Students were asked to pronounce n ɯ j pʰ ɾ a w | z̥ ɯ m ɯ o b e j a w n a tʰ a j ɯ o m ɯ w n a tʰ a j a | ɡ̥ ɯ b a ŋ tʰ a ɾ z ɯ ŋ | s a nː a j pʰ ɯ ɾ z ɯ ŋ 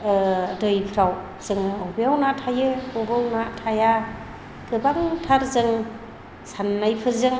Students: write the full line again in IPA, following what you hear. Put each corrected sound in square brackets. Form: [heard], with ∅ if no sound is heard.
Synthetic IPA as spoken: [d] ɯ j pʰ ɾ a w | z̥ ɯ [ŋ] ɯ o b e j a w n a tʰ a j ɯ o [b] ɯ w n a tʰ a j a | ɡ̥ ɯ b a ŋ tʰ a ɾ z ɯ ŋ | s a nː a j pʰ ɯ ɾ z ɯ ŋ